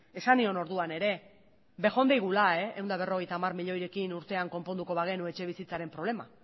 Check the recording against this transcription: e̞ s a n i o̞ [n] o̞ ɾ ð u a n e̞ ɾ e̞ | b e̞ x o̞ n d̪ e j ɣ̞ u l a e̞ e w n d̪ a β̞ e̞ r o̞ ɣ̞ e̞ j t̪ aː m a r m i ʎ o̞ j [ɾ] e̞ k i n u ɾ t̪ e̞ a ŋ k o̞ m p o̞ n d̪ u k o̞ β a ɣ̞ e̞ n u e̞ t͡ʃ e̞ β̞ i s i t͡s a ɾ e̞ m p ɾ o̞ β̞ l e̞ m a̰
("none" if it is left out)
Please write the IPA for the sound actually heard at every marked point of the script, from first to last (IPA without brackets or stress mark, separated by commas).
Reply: n, ɾ